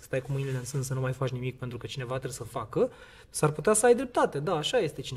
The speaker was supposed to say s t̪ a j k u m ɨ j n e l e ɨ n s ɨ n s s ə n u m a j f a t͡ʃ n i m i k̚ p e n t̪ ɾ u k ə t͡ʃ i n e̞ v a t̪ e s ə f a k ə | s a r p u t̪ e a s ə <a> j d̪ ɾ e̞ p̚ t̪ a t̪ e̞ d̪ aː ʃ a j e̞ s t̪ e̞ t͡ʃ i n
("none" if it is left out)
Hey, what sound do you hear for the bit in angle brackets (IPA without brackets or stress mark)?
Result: a